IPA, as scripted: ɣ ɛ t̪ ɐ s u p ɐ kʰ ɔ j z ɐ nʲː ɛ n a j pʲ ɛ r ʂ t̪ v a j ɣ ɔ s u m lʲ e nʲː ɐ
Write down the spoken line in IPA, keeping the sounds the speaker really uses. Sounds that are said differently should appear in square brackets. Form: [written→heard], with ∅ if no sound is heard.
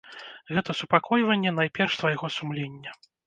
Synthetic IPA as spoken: ɣ ɛ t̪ ɐ s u p [ɐ→a] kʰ ɔ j [z→v] ɐ nʲː ɛ n a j pʲ ɛ r ʂ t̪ v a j ɣ ɔ s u m lʲ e nʲː ɐ